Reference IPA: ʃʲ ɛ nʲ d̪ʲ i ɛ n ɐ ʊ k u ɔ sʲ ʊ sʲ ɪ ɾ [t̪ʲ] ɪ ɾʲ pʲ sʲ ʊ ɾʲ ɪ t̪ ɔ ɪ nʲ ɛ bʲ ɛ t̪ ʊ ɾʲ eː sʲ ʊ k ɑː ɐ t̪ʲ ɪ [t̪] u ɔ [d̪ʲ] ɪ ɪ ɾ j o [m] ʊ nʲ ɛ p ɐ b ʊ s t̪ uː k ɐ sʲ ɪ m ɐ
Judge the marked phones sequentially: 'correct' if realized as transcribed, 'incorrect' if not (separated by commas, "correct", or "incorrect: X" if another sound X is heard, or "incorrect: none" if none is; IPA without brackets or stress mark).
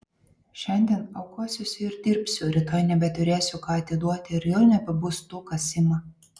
incorrect: d̪ʲ, incorrect: d̪, incorrect: t̪ʲ, incorrect: none